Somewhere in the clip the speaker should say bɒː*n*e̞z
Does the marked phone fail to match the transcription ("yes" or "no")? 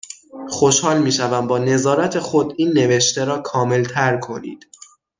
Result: no